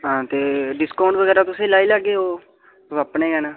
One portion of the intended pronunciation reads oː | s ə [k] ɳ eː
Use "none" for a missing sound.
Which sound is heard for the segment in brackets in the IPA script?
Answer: p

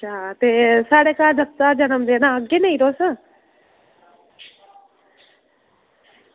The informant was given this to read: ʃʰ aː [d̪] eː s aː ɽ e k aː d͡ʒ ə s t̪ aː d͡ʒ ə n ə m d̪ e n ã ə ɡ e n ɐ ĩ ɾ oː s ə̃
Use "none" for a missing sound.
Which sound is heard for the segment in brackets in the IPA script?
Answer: t̪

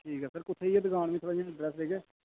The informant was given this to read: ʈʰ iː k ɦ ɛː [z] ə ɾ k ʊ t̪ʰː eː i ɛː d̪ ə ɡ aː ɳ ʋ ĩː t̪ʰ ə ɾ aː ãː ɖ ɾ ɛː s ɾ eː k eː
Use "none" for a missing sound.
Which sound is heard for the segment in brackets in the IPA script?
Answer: s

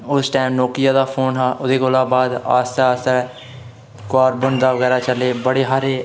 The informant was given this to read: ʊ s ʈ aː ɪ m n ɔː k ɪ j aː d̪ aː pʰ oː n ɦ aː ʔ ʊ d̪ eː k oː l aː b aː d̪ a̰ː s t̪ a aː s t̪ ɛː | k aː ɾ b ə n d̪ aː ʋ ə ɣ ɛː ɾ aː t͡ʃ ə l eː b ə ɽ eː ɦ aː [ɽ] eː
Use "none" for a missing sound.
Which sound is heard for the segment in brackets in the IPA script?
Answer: ɾ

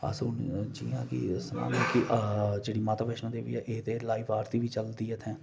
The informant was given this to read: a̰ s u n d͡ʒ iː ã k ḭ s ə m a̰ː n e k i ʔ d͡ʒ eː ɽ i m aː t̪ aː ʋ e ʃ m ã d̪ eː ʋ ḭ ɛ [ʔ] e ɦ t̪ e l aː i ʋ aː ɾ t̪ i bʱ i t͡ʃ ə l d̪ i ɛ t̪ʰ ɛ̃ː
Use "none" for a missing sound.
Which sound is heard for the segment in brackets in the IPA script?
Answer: ʔ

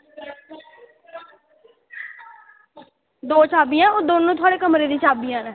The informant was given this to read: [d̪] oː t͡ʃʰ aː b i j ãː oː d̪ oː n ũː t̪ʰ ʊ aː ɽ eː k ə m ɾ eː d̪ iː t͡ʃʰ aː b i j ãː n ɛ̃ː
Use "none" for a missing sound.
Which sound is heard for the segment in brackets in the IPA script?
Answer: d̪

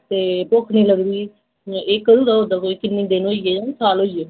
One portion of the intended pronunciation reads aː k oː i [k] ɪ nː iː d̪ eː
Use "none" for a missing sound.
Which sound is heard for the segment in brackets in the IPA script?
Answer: k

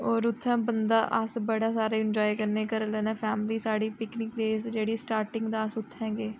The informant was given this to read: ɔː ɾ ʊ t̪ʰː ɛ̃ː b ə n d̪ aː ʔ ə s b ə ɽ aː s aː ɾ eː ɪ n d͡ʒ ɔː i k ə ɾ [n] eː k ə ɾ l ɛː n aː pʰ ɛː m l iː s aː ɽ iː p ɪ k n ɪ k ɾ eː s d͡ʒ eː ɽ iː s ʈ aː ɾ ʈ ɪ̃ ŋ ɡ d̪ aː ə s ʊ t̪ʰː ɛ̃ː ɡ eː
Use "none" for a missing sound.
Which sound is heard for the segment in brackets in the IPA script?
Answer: n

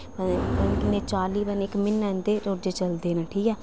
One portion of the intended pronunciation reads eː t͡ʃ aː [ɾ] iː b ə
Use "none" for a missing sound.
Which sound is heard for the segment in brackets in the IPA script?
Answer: l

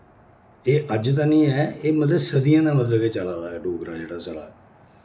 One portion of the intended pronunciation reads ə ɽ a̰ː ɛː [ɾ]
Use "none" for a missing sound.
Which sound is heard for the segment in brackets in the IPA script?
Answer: none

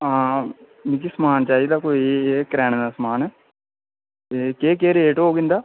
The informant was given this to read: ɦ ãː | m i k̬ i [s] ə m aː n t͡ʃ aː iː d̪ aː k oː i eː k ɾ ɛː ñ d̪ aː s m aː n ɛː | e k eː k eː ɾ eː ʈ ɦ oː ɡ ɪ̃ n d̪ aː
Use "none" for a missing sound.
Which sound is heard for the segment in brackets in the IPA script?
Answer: s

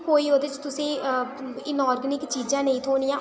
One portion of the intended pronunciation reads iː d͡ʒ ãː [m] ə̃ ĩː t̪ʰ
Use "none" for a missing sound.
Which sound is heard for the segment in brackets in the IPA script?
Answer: n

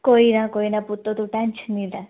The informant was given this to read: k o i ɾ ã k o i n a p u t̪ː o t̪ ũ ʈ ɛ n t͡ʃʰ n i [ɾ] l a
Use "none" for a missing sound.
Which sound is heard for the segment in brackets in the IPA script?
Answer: none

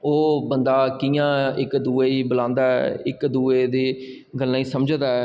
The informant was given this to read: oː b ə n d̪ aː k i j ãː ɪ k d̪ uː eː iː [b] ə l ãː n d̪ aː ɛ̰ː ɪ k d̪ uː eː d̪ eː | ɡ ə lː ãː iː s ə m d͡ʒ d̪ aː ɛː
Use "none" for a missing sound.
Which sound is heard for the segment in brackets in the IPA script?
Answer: b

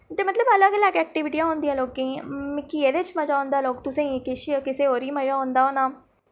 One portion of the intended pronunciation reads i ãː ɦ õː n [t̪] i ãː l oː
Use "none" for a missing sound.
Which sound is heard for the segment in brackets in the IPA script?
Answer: d̪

